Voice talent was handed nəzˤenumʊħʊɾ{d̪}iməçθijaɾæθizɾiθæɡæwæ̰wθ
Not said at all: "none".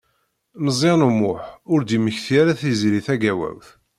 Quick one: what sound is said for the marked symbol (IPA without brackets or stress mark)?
d̪